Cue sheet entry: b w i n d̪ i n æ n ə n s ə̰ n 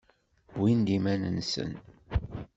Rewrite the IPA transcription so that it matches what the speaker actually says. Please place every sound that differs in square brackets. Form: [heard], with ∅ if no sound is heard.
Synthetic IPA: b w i n d̪ i [m] æ n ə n s ə̰ n